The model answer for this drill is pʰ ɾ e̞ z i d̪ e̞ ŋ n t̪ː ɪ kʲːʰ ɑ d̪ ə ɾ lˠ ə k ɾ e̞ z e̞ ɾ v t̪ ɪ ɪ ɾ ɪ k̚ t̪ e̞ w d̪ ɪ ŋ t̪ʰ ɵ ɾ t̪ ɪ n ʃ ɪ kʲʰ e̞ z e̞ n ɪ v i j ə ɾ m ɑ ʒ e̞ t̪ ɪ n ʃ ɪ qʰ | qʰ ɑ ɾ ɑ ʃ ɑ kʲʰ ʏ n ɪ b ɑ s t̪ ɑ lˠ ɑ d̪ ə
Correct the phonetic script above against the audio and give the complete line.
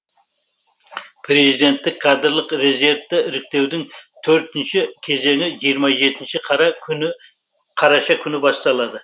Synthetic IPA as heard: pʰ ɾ e̞ z i d̪ e̞ n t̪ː ɪ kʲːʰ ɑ d̪ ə ɾ lˠ ə q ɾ e̞ z e̞ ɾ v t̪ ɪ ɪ ɾ ɪ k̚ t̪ e̞ w d̪ ɪ ŋ t̪ʰ ɵ ɾ t̪ ɪ n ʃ ɪ kʲʰ e̞ z e̞ ŋ ɪ ʒ i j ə ɾ m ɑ ʒ e̞ t̪ ɪ n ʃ ɪ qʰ | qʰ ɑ ɾ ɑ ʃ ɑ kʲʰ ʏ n ɪ b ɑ s t̪ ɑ lˠ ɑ d̪ ə